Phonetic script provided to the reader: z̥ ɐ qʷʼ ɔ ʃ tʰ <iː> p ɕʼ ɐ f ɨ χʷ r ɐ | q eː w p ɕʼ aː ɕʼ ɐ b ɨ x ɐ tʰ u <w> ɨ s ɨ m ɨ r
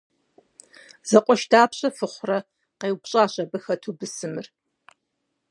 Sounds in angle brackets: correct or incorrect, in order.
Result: incorrect, incorrect

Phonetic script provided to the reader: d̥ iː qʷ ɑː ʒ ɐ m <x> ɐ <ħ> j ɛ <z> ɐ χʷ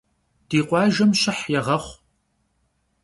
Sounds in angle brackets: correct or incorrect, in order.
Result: incorrect, correct, incorrect

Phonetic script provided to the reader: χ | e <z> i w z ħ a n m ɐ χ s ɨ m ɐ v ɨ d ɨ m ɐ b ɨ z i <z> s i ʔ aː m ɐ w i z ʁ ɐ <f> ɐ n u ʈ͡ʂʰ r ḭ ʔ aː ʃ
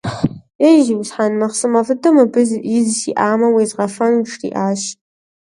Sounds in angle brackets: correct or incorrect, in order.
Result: incorrect, correct, correct

